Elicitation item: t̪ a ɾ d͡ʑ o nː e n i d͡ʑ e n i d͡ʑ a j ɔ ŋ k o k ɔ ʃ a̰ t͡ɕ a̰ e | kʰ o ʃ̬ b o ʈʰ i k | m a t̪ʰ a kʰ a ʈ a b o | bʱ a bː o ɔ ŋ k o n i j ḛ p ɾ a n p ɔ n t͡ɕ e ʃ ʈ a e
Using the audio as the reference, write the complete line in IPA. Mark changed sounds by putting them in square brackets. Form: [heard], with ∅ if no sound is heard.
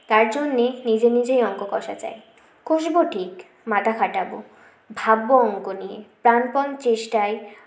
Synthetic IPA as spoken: t̪ a ɾ d͡ʑ o nː e n i d͡ʑ e n i d͡ʑ [e] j ɔ ŋ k o k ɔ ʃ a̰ t͡ɕ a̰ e | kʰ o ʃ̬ b o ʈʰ i k | m a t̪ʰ a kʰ a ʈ a b o | bʱ a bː o ɔ ŋ k o n i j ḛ p ɾ a n p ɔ n t͡ɕ e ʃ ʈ a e